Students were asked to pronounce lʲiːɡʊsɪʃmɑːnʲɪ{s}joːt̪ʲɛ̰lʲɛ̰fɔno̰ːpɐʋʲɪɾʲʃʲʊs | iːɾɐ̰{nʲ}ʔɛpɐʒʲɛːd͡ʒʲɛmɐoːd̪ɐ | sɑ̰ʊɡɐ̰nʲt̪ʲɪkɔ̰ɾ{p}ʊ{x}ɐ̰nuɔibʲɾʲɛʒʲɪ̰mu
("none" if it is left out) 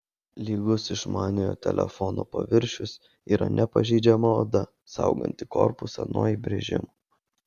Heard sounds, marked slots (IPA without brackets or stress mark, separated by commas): none, nʲ, p, s